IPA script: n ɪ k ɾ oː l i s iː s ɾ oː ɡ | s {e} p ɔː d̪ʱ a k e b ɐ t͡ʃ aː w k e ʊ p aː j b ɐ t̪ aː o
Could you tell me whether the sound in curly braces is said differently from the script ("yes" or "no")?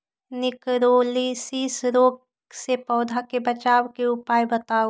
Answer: no